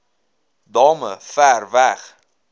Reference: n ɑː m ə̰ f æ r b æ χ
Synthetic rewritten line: d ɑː m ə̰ f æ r v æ χ